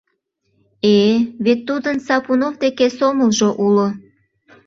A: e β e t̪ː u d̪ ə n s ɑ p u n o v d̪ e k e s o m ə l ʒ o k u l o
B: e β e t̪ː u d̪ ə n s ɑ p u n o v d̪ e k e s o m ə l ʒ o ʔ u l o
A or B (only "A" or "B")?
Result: B